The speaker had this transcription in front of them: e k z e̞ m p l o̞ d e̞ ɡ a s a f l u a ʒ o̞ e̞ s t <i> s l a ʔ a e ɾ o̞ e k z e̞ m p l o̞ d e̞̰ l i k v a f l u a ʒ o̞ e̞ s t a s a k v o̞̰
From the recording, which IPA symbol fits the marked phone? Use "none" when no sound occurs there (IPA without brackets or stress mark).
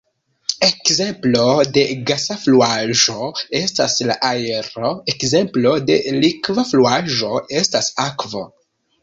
a